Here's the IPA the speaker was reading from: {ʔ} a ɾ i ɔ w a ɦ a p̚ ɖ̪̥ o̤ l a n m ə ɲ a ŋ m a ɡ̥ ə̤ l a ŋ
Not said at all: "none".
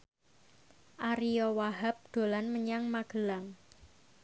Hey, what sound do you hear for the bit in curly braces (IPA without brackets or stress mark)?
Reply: ʔ